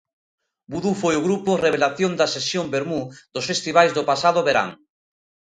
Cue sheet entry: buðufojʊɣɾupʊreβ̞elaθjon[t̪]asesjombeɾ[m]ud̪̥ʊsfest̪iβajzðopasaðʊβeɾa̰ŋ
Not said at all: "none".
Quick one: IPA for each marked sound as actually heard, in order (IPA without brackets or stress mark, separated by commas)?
d̪, m